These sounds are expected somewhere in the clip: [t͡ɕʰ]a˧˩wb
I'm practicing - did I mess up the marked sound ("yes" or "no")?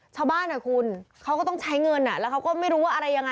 no